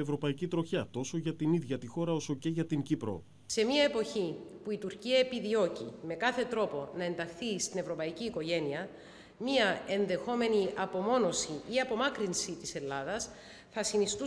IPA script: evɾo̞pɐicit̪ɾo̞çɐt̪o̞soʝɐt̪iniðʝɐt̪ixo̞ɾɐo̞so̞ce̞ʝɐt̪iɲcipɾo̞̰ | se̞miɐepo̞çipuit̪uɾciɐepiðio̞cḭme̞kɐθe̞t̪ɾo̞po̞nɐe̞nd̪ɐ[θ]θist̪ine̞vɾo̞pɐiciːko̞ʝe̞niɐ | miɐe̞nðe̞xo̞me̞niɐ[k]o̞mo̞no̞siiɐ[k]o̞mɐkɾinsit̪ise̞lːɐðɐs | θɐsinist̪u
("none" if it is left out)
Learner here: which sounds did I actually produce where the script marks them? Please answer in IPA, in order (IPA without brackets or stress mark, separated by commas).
x, p, p